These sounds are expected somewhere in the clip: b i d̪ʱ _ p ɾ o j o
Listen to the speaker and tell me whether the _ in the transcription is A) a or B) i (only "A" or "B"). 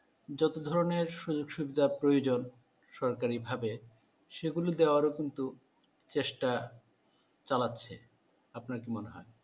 A